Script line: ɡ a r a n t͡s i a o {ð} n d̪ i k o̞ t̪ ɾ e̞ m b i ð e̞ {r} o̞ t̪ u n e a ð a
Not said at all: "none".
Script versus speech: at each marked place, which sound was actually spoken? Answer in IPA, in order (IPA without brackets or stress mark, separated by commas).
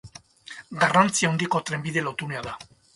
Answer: none, l